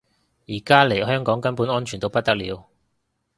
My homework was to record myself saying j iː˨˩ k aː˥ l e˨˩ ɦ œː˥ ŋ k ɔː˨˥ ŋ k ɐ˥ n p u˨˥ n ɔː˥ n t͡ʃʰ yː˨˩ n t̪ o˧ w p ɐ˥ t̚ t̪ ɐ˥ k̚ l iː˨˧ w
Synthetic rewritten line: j iː˨˩ k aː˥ l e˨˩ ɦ œː˥ ŋ k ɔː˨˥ ŋ k ɐ˥ n p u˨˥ n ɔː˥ n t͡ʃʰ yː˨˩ n t̪ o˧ w p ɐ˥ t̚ t̪ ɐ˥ k̚ l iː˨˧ w